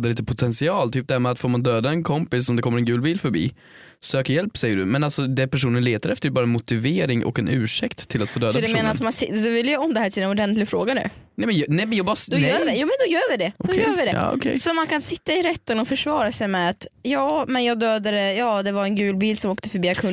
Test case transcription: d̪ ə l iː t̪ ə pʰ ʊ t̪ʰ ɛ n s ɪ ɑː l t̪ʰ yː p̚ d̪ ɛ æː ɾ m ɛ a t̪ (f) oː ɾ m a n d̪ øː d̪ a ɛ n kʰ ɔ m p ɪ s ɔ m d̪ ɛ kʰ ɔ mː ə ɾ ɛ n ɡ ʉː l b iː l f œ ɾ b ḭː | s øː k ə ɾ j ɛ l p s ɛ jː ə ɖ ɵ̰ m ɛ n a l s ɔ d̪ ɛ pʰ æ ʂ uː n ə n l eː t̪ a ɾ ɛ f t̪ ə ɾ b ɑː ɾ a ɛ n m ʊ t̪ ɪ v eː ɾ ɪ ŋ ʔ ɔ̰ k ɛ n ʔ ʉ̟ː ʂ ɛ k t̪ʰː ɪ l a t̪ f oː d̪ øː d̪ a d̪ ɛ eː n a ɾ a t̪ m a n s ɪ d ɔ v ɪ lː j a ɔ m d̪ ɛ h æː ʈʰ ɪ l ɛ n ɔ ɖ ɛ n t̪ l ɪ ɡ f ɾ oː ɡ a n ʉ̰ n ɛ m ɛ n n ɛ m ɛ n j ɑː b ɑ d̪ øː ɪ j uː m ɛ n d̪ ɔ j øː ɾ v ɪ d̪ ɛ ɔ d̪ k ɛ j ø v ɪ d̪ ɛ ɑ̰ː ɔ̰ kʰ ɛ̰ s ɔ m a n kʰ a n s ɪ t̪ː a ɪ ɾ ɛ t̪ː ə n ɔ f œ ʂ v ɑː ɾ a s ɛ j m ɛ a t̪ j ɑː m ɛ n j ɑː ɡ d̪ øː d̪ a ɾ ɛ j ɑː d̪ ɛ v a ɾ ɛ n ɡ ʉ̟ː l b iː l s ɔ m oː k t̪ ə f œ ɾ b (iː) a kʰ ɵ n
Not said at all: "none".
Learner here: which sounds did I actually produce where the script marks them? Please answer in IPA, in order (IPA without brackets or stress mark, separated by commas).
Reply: f, iː